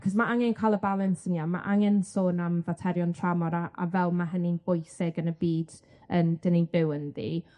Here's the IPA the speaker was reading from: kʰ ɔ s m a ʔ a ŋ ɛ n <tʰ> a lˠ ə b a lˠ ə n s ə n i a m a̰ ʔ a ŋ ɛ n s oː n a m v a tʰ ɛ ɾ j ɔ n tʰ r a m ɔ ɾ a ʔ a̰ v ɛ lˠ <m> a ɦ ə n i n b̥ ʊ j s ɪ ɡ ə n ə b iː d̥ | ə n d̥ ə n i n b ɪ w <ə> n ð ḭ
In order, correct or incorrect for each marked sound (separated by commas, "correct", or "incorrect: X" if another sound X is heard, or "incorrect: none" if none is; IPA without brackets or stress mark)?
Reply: incorrect: kʰ, correct, correct